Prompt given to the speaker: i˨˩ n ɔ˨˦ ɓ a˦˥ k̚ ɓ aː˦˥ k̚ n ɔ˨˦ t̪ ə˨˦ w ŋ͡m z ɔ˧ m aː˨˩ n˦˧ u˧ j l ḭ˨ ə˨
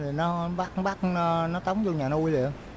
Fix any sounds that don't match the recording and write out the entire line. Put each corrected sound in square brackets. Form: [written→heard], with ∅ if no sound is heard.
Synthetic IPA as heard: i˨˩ n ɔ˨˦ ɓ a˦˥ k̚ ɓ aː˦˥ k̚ n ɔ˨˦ t̪ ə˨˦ w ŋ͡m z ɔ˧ [m→ɲ] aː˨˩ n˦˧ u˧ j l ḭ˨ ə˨